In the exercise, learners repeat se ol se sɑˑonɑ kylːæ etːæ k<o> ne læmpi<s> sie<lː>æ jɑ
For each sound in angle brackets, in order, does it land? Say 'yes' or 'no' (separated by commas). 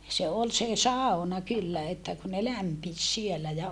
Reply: no, yes, no